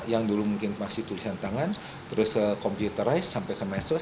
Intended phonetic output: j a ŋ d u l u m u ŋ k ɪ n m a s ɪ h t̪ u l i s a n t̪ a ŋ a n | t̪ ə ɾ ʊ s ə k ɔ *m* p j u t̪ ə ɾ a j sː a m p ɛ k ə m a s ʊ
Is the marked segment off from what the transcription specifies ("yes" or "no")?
no